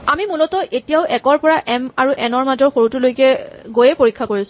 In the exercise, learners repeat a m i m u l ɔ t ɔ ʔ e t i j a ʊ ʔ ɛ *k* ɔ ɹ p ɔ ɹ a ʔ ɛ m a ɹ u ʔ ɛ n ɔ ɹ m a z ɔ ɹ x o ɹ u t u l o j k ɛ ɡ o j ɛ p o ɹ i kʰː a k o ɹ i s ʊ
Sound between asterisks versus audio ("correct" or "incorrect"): correct